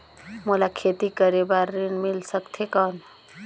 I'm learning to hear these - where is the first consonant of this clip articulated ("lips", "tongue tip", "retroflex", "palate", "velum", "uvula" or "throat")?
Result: lips